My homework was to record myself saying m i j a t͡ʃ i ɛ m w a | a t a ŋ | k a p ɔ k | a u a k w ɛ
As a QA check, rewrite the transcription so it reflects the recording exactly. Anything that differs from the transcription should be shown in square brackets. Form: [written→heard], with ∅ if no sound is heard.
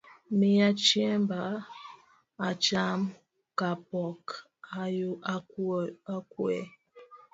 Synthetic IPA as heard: m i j a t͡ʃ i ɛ m [w→b] a | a [t→t͡ʃ] a [ŋ→m] | k a p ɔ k | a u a k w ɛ